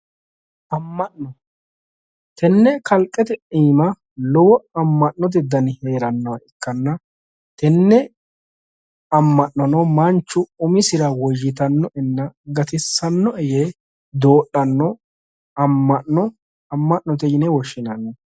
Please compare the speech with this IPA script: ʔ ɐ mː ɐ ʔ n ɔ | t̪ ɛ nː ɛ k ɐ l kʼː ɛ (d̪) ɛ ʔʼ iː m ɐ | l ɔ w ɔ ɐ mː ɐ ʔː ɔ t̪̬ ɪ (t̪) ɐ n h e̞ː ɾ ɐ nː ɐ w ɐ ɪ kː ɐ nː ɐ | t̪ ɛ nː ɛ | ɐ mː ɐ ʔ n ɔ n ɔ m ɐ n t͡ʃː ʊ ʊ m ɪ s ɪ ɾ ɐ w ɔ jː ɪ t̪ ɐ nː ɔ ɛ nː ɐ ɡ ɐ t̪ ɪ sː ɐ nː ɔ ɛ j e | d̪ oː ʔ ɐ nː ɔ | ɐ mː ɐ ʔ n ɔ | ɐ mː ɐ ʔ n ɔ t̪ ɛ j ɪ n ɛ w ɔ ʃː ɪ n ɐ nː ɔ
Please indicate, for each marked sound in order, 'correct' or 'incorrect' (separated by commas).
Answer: incorrect, incorrect